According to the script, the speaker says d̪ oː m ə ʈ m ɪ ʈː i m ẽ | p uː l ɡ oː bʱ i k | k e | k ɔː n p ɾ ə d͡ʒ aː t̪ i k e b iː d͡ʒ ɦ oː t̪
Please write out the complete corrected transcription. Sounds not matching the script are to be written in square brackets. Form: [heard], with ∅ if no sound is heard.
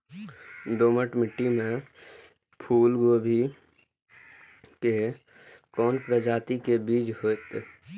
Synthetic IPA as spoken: d̪ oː m ə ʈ m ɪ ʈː i m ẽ | [pʰ] uː l ɡ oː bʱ i [∅] | k e | k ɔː n p ɾ ə d͡ʒ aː t̪ i k e b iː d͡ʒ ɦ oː t̪

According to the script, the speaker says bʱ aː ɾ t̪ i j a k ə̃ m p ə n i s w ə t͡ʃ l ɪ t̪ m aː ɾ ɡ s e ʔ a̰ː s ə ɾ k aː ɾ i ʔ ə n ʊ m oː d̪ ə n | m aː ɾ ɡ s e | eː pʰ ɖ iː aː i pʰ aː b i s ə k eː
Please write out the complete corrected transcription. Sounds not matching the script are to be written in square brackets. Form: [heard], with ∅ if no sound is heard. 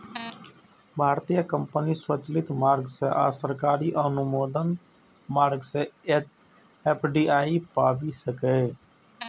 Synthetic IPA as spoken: bʱ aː ɾ t̪ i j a k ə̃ m p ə n i s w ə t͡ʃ l ɪ t̪ m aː ɾ ɡ s e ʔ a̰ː s ə ɾ k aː ɾ i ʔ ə n ʊ m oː d̪ ə n | m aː ɾ ɡ s e | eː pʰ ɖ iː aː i [p] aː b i s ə k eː

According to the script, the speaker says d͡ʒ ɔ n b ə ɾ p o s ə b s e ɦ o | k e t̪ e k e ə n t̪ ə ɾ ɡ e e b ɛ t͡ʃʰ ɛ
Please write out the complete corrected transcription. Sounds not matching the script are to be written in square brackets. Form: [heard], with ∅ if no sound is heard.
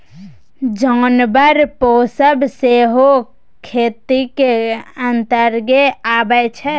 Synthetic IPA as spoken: d͡ʒ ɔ n b ə ɾ p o s ə b s e ɦ o | [kʰ] e t̪ [i] k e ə n t̪ ə ɾ ɡ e [a] b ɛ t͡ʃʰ ɛ

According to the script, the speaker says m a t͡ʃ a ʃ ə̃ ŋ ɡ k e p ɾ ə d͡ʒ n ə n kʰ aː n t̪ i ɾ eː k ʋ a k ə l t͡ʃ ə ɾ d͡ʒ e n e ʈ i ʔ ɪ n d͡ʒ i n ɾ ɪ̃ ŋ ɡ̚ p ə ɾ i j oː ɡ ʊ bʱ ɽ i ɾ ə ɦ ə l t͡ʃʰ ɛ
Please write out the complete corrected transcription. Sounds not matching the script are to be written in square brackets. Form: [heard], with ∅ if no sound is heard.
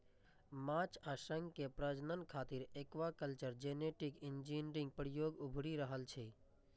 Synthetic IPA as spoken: m a t͡ʃ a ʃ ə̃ ŋ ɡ k e p ɾ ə d͡ʒ n ə n kʰ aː [∅] t̪ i ɾ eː k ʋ a k ə l t͡ʃ ə ɾ d͡ʒ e n e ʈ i [k] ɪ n d͡ʒ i n ɾ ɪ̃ ŋ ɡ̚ p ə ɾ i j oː ɡ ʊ bʱ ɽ i ɾ ə ɦ ə l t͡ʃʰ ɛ

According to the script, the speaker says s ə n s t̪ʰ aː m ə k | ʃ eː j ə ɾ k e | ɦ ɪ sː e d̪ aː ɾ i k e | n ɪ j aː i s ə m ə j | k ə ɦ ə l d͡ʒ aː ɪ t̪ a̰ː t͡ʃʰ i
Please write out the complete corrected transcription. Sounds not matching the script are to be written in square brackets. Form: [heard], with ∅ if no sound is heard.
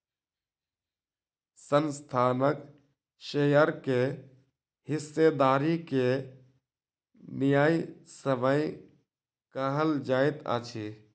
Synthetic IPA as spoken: s ə n s t̪ʰ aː [n] ə k | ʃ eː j ə ɾ k e | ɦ ɪ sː e d̪ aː ɾ i k e | n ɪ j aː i s ə m ə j | k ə ɦ ə l d͡ʒ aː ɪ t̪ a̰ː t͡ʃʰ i

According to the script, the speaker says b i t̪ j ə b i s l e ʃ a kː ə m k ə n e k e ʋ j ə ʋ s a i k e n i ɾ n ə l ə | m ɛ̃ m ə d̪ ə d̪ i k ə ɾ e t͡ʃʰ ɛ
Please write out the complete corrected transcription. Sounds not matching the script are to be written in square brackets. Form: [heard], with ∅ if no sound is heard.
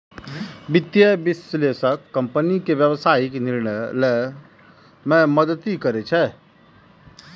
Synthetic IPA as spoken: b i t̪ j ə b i s l e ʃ [ə] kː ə m [p] ə n [i] k e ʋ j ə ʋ s a i k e n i ɾ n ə l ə | m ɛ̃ m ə d̪ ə [t̪] i k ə ɾ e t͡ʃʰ ɛ

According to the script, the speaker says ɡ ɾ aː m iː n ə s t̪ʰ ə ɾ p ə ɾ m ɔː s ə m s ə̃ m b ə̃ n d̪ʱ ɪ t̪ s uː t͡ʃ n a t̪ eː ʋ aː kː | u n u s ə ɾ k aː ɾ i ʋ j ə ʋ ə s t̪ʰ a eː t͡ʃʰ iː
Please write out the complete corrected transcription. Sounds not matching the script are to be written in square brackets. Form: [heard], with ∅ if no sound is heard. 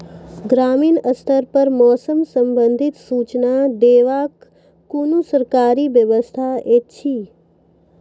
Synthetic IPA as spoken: ɡ ɾ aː m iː n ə s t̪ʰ ə ɾ p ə ɾ m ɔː s ə m s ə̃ m b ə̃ n d̪ʱ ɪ t̪ s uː t͡ʃ n a [d̪] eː ʋ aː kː | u n u s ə ɾ k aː ɾ i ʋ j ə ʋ ə s t̪ʰ a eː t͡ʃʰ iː

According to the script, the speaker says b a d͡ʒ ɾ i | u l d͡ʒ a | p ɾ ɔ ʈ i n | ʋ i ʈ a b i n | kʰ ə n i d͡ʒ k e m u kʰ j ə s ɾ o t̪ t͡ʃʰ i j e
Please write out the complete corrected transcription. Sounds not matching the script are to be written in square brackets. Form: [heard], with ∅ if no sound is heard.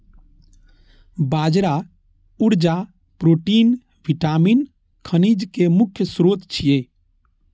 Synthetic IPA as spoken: b a d͡ʒ ɾ [a] | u [ɾ] d͡ʒ a | p ɾ [o] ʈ i n | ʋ i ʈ a [m] i n | kʰ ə n i d͡ʒ k e m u kʰ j ə s ɾ o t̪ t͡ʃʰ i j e

